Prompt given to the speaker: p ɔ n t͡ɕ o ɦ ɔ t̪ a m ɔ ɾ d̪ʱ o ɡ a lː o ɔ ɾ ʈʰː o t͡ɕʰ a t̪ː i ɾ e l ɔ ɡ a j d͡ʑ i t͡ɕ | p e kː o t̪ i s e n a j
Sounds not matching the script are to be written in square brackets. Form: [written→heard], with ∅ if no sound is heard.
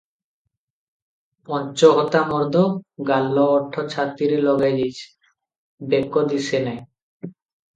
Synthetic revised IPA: p ɔ n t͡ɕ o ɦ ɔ t̪ a m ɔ ɾ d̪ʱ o ɡ a lː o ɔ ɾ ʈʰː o t͡ɕʰ a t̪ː i ɾ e l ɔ ɡ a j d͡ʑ i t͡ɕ | [p→b] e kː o [t̪→d̪] i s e n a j